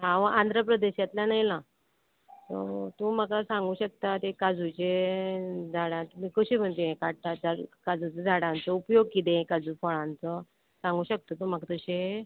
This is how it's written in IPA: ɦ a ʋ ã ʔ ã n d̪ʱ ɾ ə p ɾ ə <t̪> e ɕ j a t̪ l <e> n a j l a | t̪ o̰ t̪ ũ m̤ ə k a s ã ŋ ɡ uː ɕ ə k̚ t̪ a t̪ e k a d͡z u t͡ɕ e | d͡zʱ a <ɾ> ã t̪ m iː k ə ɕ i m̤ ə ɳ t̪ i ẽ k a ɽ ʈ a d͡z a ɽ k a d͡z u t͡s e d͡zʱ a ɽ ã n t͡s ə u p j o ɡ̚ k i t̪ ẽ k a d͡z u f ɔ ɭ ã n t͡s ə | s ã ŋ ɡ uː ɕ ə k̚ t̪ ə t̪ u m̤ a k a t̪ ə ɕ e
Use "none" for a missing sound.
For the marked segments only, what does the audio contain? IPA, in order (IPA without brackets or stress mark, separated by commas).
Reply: d̪, a, ɽ